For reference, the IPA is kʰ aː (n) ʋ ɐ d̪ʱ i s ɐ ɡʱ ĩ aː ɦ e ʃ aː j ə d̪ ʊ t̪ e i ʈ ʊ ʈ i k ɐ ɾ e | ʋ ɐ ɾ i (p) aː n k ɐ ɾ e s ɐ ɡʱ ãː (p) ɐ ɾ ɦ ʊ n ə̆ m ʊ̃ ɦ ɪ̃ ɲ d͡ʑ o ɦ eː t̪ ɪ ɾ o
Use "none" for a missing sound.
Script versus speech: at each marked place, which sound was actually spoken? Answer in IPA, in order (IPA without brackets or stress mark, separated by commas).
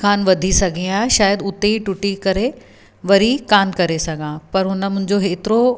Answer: n, k, p